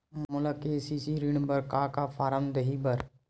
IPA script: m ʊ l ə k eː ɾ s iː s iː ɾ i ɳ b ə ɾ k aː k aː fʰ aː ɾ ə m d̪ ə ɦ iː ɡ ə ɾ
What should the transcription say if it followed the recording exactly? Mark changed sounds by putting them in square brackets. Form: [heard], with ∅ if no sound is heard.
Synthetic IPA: m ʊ l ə k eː [∅] s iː s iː ɾ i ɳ b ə ɾ k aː k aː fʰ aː ɾ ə m d̪ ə ɦ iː [b] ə ɾ